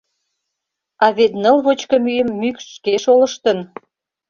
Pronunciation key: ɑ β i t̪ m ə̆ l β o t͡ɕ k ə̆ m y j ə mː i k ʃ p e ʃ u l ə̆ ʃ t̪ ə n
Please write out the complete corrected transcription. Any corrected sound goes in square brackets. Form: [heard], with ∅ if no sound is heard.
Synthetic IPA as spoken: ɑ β [e] t̪ [n] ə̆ l β o t͡ɕ k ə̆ m y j ə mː [y] k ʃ [k] e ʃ [o] l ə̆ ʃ t̪ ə n